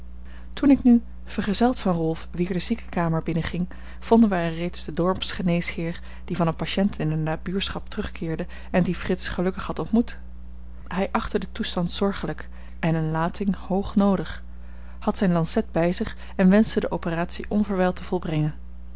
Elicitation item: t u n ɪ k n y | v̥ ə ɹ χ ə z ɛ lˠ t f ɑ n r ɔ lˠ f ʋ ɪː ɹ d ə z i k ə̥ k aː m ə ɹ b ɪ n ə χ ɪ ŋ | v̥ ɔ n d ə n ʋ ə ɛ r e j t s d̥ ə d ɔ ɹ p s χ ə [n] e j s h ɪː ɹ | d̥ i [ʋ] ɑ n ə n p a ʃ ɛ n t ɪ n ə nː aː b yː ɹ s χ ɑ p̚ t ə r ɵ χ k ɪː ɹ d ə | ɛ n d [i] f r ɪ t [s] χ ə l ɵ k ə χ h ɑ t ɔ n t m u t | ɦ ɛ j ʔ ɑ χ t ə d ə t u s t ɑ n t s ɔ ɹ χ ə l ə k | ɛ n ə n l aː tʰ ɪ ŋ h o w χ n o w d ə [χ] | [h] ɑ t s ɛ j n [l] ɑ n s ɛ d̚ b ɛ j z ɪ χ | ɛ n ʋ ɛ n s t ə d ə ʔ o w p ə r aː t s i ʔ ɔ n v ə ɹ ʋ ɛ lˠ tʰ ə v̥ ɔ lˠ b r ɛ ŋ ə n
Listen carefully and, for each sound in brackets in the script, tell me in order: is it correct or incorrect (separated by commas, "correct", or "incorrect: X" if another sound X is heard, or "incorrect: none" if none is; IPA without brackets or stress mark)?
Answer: correct, incorrect: v, correct, correct, correct, correct, correct